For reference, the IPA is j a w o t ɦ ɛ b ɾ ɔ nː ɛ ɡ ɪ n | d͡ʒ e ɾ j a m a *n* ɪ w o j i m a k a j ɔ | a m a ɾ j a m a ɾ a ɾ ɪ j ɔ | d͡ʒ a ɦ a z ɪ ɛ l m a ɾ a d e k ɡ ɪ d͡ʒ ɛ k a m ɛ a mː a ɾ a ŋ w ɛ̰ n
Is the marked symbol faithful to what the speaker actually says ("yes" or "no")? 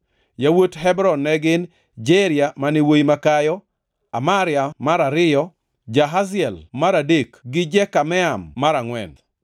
yes